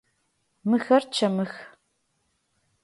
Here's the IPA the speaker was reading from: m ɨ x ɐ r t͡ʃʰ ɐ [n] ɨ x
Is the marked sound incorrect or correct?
incorrect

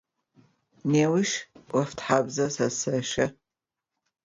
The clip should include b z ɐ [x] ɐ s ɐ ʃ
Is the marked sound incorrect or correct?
incorrect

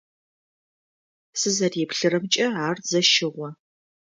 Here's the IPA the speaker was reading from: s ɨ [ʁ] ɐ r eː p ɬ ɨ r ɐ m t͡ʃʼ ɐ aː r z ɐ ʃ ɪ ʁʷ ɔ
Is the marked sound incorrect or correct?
incorrect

